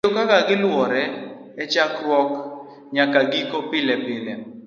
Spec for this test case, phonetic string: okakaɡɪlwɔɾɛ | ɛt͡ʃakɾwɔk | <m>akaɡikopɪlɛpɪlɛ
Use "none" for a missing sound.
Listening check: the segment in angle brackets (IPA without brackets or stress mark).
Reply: ɲ